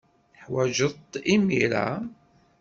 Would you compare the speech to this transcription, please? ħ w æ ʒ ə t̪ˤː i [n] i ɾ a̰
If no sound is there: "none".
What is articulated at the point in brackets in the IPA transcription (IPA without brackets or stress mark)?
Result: m